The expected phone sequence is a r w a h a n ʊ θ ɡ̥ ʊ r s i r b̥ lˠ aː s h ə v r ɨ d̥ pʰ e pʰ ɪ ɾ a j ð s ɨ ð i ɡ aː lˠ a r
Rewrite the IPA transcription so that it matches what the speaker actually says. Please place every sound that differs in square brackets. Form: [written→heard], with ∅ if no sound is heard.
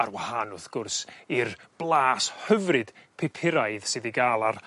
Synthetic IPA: a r w a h a n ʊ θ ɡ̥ ʊ r s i r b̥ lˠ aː s h ə v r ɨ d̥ pʰ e pʰ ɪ ɾ a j ð s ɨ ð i ɡ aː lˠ a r